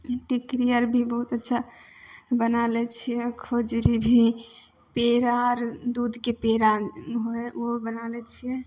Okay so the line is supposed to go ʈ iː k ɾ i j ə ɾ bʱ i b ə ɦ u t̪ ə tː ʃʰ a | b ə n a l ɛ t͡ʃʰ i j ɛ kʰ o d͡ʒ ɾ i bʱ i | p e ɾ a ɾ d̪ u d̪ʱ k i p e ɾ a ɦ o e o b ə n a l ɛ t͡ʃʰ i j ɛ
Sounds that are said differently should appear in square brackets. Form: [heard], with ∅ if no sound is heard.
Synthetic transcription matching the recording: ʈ [i] k ɾ i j ə ɾ bʱ i b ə ɦ u t̪ ə tː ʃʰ a | b ə n a l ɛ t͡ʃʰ i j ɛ kʰ o d͡ʒ ɾ i bʱ i | p e ɾ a ɾ d̪ u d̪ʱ k [e] p e ɾ a ɦ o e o b ə n a l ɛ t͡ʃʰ i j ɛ